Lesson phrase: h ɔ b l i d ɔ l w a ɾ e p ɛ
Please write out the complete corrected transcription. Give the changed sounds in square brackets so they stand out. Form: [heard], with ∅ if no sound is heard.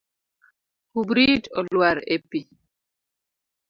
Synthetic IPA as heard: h [u] b [ɾ] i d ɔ l w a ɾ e p [i]